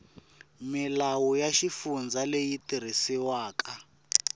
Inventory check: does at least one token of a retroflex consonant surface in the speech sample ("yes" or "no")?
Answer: no